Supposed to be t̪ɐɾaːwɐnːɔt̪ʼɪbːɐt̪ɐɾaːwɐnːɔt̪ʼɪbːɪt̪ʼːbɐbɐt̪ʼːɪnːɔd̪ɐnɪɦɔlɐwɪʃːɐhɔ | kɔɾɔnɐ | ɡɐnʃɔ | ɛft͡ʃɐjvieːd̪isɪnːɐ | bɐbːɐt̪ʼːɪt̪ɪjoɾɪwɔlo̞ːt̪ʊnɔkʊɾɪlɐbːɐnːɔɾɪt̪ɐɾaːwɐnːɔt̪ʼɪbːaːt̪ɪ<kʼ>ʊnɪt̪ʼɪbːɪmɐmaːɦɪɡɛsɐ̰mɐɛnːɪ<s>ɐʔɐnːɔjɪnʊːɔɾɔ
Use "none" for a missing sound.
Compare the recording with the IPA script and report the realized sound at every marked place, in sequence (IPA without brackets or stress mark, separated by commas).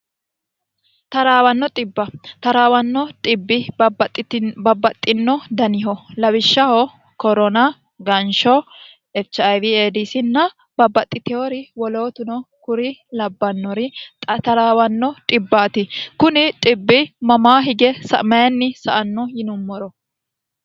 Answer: k, s